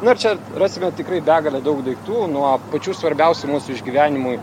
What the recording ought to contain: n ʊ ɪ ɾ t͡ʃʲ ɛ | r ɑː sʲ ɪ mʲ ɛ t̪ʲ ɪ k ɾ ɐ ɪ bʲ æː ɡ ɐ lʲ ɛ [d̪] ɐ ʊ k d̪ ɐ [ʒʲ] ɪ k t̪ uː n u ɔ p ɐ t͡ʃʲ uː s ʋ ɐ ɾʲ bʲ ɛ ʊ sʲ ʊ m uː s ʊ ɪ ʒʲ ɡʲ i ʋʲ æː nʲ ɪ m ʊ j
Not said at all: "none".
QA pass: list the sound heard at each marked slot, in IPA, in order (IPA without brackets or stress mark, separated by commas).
d̪, none